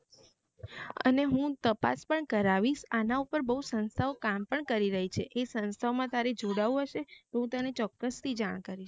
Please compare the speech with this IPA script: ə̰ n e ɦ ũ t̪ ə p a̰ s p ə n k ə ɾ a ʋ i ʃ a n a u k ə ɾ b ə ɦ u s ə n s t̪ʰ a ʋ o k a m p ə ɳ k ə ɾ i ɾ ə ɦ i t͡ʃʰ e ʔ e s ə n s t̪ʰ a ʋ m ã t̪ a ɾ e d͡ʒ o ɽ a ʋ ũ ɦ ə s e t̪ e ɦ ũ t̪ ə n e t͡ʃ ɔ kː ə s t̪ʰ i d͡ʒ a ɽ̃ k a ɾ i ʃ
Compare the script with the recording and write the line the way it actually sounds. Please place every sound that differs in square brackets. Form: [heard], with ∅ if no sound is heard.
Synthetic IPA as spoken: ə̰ n e ɦ ũ t̪ ə p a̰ s p ə [ɳ] k ə ɾ a ʋ i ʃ a n a u [p] ə ɾ b ə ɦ u s ə n s t̪ʰ a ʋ o k a m p ə ɳ k ə ɾ i ɾ ə ɦ i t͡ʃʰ e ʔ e s ə n s t̪ʰ a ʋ m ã t̪ a ɾ e d͡ʒ o ɽ a ʋ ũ ɦ ə [ʃ] e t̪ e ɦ ũ t̪ ə n e t͡ʃ ɔ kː ə s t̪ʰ i d͡ʒ a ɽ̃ k a ɾ i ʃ